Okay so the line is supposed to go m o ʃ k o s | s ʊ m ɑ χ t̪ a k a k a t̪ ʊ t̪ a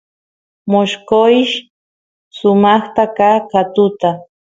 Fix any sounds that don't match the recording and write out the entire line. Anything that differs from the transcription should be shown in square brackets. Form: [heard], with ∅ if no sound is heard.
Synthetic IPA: m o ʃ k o [ʃ] | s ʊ m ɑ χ t̪ a k a k a t̪ ʊ t̪ a